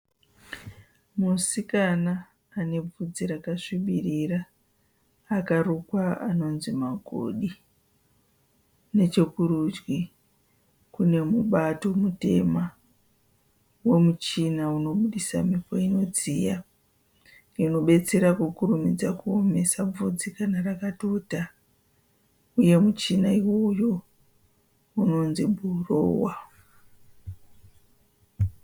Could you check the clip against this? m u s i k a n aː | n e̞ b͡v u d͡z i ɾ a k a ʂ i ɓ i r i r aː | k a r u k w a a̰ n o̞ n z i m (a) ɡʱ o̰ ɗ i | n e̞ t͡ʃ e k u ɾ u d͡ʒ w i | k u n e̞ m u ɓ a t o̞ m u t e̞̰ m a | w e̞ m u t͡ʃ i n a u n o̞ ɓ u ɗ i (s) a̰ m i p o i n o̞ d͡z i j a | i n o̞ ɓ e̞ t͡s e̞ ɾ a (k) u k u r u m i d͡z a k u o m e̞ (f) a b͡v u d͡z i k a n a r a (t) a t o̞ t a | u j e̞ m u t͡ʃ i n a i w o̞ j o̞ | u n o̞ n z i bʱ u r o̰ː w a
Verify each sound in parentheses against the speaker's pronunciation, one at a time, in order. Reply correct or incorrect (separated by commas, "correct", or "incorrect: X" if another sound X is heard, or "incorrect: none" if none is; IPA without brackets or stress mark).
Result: correct, correct, correct, incorrect: s, incorrect: k